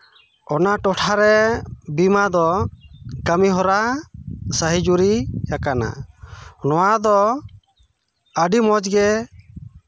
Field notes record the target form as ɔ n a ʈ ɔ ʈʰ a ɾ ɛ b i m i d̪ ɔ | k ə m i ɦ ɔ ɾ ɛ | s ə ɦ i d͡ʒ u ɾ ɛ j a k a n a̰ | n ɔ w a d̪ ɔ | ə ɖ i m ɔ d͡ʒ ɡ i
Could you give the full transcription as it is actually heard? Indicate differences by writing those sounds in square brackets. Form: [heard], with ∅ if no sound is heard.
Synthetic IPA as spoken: ɔ n a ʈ ɔ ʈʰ a ɾ ɛ b i m [a] d̪ ɔ | k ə m i ɦ ɔ ɾ [a] | s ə ɦ i d͡ʒ u ɾ [i] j a k a n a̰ | n ɔ w a d̪ ɔ | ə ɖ i m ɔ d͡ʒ ɡ [ɛ]